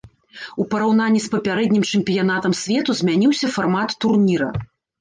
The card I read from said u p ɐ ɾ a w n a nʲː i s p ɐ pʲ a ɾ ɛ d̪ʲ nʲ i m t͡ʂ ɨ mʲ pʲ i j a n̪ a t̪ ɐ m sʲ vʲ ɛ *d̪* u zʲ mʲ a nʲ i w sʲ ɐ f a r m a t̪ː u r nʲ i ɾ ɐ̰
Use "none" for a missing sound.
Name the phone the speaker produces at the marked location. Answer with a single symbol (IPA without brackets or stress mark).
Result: t̪